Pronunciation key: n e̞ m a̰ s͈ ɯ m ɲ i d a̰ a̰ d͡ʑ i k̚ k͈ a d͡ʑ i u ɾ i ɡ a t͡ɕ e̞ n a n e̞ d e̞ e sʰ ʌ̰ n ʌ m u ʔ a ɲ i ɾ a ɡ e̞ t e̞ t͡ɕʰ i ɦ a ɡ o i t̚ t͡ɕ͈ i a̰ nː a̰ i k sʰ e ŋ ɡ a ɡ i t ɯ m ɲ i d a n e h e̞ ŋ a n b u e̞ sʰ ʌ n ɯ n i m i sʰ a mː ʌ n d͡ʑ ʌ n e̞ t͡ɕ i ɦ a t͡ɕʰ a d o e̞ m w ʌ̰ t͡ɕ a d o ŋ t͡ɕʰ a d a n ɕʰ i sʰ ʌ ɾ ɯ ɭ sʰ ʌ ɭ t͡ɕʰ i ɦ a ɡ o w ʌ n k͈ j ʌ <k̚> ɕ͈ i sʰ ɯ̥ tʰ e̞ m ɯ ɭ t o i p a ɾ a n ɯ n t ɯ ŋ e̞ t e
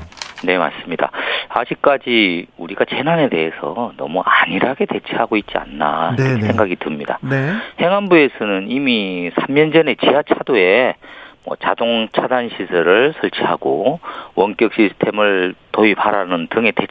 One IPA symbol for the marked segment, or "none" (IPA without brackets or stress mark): k̚